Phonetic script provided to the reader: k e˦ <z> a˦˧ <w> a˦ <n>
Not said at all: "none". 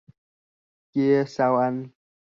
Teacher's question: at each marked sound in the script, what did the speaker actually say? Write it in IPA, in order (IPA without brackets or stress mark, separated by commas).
s, w, n